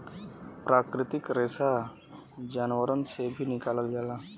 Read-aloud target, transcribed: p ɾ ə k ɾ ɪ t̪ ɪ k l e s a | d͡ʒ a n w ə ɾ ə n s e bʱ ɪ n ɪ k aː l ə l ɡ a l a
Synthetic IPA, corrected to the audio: p ɾ a k ɾ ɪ t̪ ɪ k ɾ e s a | d͡ʒ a n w ə ɾ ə n s e bʱ i n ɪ k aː l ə l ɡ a l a